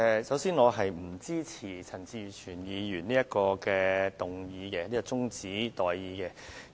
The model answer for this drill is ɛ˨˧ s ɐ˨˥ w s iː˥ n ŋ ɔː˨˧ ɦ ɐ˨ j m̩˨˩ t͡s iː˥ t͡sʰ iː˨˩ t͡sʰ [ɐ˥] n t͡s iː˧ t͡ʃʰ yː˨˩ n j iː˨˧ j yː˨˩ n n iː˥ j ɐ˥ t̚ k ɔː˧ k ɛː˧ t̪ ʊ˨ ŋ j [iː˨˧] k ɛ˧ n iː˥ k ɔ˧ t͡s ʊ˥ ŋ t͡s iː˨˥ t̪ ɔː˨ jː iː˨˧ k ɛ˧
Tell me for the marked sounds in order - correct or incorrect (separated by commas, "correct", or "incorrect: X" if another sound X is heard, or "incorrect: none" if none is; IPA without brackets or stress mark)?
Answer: incorrect: ɐ˨˩, correct